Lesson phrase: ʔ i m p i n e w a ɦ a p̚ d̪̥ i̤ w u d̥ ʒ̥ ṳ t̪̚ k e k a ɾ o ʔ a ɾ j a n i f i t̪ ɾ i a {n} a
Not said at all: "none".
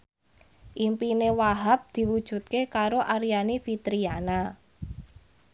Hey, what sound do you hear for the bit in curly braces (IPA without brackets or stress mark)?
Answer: n